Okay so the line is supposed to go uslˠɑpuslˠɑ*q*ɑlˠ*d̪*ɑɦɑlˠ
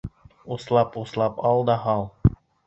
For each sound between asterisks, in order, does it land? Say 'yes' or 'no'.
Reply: no, yes

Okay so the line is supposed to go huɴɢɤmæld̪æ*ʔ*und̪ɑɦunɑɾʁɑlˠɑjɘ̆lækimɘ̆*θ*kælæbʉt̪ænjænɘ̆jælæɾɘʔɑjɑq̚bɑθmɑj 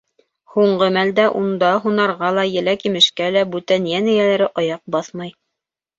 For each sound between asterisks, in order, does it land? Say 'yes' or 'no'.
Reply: yes, no

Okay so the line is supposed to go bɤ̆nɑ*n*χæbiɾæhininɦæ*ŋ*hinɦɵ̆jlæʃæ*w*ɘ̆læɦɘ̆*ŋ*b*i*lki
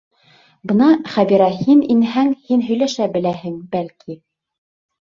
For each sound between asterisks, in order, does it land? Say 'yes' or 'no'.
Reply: no, yes, no, yes, no

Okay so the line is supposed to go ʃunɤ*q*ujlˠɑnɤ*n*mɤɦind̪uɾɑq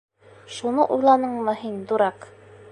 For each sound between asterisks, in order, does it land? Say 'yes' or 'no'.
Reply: no, no

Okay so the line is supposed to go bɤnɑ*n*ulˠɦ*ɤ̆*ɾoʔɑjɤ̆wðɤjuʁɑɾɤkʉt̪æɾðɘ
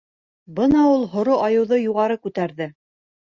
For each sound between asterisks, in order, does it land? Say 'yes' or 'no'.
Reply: no, no

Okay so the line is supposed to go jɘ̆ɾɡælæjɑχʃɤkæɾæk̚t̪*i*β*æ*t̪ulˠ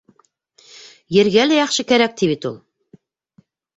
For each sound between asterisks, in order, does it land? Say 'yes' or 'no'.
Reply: yes, no

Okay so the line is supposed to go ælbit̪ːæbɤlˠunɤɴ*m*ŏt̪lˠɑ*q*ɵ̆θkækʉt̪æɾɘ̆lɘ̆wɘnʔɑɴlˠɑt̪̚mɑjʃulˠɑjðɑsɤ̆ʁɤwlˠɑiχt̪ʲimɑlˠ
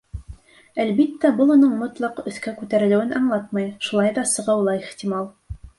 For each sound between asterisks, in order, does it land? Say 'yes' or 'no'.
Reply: yes, yes

